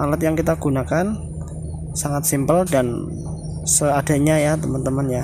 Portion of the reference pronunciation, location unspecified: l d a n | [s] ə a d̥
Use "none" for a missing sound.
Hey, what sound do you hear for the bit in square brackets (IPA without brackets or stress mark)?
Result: s